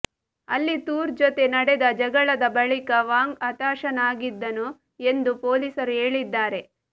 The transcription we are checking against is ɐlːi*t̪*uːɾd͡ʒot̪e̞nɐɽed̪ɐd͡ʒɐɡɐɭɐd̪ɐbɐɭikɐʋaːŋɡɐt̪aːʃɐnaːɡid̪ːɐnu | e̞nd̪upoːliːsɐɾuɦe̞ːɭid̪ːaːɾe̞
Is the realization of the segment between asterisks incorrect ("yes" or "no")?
no